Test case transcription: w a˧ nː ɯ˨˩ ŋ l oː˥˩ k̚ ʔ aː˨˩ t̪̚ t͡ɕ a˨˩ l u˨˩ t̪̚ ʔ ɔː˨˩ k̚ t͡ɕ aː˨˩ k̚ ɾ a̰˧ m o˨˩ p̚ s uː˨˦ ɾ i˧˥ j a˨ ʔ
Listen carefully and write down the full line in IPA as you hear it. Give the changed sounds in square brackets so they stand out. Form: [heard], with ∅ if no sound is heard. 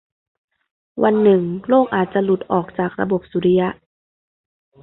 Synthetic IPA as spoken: w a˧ nː ɯ˨˩ ŋ l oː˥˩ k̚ ʔ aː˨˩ t̪̚ t͡ɕ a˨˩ l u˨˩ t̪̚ ʔ ɔː˨˩ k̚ t͡ɕ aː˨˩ k̚ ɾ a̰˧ [b] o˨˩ p̚ s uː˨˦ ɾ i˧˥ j [a˧˥] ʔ